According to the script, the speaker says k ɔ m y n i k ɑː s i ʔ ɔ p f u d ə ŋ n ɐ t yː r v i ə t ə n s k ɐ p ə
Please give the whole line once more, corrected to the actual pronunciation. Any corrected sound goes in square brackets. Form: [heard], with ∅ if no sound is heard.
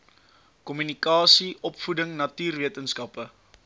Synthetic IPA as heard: k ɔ m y n i k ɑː s i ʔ ɔ p f u d ə ŋ n ɐ t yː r v i ə t ə n s k ɐ p ə